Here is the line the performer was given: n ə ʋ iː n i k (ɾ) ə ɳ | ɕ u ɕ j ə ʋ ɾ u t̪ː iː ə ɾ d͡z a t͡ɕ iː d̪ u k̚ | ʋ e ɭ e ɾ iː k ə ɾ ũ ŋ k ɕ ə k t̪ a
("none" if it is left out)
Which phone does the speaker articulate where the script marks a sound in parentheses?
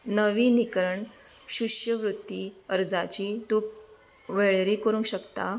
ɾ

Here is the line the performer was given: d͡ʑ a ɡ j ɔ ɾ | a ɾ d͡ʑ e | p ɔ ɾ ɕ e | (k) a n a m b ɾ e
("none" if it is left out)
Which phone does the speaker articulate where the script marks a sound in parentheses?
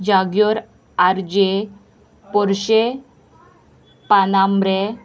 p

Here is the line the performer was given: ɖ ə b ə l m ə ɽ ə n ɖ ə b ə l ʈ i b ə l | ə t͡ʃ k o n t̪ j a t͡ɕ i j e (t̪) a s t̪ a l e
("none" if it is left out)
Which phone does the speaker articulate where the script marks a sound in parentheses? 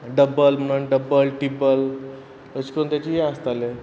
none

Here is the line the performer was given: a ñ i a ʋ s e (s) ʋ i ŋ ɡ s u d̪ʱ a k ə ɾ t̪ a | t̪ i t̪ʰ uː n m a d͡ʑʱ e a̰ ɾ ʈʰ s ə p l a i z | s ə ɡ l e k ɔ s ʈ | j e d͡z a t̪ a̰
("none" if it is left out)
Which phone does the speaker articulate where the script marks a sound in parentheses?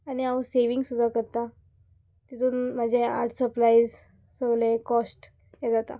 none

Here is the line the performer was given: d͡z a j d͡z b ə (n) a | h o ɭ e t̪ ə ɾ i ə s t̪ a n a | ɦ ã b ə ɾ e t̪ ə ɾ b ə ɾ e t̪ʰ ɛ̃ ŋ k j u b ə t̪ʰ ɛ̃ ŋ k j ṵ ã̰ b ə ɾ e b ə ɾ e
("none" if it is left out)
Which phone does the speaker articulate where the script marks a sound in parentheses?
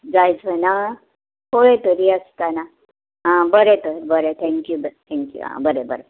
n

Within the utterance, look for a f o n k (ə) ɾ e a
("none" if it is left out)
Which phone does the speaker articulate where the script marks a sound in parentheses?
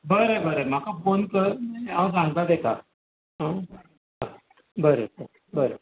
ə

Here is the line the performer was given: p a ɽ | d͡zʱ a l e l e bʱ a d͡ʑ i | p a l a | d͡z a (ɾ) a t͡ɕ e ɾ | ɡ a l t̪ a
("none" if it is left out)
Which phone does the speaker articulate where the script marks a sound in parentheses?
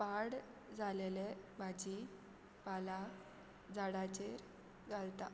ɽ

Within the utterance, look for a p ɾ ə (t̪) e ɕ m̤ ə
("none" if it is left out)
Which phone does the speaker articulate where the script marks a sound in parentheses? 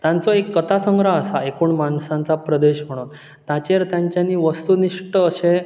d̪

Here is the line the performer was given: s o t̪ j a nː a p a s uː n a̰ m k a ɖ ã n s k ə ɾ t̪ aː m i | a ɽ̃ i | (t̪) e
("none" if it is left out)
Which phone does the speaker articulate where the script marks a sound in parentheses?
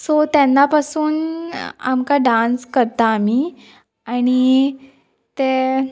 t̪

